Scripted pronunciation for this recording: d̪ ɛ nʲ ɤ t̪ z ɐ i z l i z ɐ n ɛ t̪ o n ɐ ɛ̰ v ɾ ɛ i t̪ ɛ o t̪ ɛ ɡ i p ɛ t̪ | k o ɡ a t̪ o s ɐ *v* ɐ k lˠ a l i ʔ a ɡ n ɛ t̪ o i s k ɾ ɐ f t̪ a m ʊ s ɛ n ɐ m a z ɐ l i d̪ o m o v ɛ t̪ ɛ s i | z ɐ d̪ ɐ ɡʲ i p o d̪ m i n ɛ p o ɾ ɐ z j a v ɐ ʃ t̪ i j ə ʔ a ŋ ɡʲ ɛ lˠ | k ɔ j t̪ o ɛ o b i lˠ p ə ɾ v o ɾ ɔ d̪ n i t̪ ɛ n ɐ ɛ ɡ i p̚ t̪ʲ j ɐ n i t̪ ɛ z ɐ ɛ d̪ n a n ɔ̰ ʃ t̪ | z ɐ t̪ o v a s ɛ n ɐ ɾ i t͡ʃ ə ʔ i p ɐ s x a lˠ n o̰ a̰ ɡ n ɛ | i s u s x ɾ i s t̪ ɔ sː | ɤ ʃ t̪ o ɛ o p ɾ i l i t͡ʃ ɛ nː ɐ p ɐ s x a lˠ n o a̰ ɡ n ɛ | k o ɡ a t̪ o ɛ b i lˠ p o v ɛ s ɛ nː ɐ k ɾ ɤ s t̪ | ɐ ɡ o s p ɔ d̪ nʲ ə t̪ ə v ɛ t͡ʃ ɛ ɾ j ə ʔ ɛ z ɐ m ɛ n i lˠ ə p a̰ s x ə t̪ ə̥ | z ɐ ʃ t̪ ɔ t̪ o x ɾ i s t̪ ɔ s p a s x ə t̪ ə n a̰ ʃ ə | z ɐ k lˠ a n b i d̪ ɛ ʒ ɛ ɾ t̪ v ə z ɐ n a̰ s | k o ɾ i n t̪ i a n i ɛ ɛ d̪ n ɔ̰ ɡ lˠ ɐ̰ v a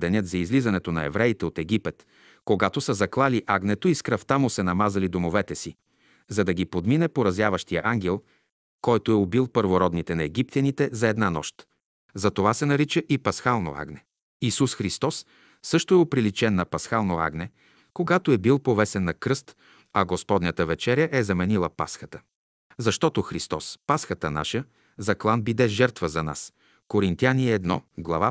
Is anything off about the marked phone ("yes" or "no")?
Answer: yes